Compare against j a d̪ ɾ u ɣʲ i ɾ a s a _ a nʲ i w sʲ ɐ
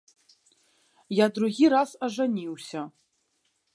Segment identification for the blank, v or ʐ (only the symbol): ʐ